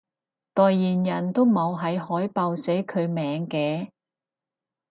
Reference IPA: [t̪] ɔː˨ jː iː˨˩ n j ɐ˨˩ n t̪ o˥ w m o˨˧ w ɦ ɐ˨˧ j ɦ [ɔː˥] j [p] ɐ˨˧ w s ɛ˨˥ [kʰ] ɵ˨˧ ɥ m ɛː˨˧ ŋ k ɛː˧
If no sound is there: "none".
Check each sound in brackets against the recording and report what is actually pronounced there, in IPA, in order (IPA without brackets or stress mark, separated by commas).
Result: t̪, ɔː˨˥, p, kʰ